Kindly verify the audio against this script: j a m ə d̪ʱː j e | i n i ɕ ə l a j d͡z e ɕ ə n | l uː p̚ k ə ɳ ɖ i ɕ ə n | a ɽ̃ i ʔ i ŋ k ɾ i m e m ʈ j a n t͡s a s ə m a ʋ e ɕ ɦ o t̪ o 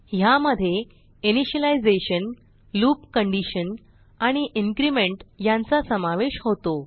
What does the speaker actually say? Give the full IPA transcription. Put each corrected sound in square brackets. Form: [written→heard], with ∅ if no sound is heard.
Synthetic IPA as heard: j a m ə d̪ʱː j e | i n i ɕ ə l a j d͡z e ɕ ə n | l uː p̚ k ə ɳ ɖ i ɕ ə n | a ɽ̃ i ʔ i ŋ k ɾ i m e [m→ɳ] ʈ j a n t͡s a s ə m a ʋ e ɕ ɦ o t̪ o